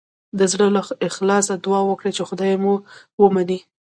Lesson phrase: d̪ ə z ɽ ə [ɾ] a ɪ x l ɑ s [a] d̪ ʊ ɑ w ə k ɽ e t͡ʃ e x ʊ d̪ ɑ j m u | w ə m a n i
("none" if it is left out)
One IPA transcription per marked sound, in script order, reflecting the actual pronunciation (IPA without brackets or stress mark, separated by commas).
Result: l, a